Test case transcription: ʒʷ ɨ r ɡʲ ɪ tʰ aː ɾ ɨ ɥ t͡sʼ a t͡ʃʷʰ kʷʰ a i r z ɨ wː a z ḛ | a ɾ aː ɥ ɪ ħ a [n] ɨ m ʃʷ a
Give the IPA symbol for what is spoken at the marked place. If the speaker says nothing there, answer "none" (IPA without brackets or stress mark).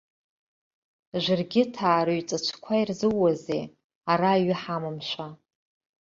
m